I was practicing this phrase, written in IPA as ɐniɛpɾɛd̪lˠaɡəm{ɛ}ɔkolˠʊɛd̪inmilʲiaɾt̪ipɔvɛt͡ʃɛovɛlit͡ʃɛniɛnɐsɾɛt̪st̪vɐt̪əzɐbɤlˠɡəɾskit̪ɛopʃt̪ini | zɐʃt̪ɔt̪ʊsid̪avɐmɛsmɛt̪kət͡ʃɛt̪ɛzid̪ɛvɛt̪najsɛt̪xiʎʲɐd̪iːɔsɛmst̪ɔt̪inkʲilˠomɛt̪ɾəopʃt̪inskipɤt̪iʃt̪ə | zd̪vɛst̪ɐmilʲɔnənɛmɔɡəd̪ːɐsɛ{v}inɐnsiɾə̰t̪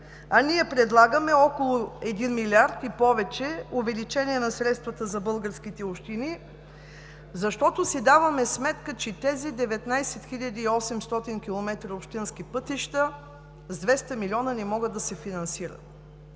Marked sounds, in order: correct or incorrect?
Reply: correct, incorrect

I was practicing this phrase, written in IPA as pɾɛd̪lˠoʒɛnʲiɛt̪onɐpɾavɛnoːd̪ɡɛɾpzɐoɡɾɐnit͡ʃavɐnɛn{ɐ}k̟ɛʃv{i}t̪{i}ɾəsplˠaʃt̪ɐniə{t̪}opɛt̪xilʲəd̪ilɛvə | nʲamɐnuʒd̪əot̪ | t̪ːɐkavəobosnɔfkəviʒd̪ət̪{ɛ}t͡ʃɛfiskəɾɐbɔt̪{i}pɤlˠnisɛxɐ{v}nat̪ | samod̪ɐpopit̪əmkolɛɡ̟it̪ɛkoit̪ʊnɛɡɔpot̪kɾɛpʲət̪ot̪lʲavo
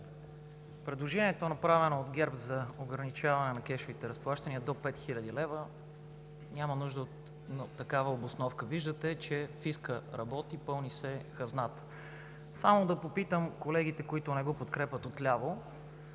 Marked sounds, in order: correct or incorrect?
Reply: correct, correct, incorrect, incorrect, correct, correct, incorrect

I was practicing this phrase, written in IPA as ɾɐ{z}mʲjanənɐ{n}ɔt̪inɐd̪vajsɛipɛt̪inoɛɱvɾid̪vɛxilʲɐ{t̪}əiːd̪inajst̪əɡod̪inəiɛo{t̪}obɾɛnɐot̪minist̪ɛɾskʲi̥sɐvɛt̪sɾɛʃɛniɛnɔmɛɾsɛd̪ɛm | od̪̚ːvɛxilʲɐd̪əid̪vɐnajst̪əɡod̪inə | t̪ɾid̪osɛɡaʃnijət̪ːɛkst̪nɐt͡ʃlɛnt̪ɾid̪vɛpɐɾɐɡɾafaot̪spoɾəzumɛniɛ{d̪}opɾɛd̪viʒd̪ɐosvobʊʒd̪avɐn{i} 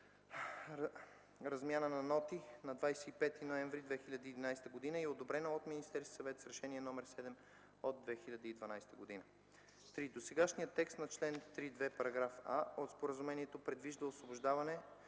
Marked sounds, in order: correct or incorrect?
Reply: correct, correct, incorrect, incorrect, incorrect, incorrect

